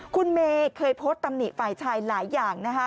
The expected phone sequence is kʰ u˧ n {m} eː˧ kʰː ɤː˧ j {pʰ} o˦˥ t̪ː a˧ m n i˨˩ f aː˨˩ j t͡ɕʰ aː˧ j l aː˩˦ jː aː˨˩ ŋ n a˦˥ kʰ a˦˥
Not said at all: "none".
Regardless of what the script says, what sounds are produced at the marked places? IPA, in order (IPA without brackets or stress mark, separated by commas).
m, pʰ